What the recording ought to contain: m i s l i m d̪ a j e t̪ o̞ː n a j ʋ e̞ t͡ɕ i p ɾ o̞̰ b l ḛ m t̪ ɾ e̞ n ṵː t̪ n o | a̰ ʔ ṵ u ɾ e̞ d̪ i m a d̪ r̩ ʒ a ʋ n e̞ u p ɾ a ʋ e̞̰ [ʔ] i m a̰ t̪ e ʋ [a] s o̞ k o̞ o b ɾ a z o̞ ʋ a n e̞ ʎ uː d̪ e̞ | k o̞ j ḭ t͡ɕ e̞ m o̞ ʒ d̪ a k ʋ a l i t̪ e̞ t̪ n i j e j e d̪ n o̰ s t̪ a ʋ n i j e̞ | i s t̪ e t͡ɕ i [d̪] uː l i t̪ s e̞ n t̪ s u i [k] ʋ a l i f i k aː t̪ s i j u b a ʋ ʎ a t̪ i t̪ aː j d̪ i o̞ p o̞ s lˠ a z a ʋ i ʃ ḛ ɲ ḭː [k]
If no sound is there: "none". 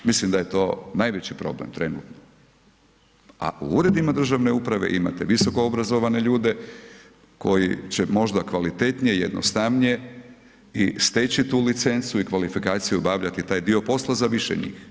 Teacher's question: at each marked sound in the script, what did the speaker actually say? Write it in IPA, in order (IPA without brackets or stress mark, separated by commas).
ʔ, i, t̪, k, x